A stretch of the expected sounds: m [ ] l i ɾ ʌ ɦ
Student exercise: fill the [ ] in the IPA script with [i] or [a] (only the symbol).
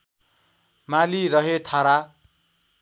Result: a